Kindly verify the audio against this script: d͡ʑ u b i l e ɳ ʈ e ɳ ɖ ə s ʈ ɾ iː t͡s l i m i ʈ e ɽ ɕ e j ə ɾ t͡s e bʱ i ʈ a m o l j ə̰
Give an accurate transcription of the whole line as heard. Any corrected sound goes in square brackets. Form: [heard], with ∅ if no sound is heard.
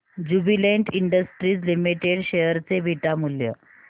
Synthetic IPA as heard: d͡ʑ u b i l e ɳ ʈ [i] ɳ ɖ ə s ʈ ɾ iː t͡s l i m i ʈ e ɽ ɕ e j ə ɾ t͡s e bʱ i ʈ a m [u] l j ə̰